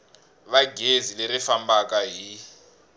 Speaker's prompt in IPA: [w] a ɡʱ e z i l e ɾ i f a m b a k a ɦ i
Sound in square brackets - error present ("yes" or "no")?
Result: yes